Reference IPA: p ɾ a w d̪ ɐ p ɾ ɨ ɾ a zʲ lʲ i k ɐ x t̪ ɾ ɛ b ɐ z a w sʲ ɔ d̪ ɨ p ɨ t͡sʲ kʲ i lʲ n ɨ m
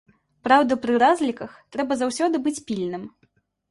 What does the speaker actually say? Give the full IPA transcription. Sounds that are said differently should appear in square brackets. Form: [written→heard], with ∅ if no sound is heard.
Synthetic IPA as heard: p ɾ a w d̪ ɐ p ɾ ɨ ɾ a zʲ lʲ i k ɐ x t̪ ɾ ɛ b ɐ z a w sʲ ɔ d̪ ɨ [p→b] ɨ t͡sʲ [kʲ→pʲ] i lʲ n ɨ m